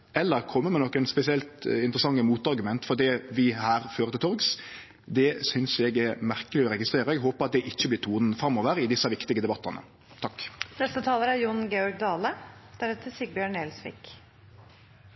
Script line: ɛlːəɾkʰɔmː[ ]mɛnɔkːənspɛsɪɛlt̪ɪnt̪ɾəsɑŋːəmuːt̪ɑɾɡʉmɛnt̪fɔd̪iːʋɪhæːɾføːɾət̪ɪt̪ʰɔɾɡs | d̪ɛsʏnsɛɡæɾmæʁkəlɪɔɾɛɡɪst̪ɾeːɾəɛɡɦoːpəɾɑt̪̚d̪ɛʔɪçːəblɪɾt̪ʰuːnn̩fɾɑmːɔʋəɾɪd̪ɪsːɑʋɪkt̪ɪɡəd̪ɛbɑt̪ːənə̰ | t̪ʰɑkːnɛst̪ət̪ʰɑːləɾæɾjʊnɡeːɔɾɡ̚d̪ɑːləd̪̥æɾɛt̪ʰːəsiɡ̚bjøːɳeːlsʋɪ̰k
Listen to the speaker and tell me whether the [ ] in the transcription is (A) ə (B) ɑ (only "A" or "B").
A